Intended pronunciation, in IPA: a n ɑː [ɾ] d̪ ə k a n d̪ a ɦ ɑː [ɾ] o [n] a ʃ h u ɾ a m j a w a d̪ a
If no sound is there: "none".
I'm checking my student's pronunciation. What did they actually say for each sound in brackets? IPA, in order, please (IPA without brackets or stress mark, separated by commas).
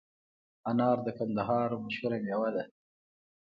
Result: ɾ, ɾ, m